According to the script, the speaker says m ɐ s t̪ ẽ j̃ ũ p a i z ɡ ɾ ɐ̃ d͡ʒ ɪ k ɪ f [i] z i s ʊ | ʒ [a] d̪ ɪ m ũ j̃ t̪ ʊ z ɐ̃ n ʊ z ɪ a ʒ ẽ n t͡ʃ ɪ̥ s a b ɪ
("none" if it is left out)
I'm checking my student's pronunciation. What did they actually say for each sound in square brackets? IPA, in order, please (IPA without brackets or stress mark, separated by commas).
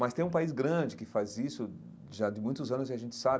a, a